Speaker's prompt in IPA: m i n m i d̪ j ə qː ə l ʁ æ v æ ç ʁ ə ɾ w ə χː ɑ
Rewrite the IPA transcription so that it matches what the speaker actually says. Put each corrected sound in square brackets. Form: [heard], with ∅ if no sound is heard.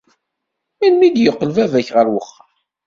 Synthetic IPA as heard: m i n m i d̪ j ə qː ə l [v] æ v æ ç ʁ ə ɾ w ə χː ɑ